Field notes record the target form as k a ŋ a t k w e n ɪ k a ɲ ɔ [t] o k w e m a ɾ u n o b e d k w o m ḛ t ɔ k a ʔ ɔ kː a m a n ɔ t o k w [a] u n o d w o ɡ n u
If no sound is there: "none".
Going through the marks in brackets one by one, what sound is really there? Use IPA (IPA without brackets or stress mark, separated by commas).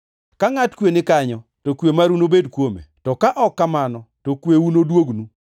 t, e